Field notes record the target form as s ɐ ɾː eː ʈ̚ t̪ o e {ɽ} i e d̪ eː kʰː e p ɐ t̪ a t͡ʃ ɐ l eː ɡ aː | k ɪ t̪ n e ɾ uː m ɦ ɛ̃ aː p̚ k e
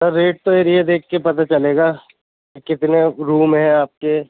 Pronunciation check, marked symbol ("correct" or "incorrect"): incorrect